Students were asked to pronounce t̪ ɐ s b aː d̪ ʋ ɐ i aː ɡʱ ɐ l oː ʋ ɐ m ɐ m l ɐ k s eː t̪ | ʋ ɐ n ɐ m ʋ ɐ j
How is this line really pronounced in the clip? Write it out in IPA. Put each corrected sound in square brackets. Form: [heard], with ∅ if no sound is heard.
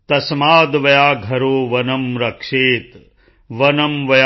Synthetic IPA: t̪ ɐ s [m] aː d̪ ʋ ɐ [j] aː ɡʱ ɐ [ɾ] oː ʋ ɐ [n] ɐ m [ɾ] ɐ k [ʂ] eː t̪ | ʋ ɐ n ɐ m ʋ ɐ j